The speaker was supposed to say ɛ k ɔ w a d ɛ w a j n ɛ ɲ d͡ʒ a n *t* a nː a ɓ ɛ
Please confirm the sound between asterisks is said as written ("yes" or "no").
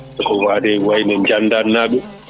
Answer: no